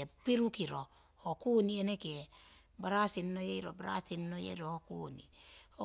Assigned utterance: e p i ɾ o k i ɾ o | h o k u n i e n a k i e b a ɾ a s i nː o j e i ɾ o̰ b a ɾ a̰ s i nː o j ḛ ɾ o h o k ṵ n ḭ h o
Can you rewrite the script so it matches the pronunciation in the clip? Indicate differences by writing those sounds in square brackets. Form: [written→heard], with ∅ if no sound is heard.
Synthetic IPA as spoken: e p i ɾ [o→u] k i ɾ o | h o k u n i e n [a→e] k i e b a ɾ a s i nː o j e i ɾ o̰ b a ɾ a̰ s i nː o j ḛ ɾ o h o k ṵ n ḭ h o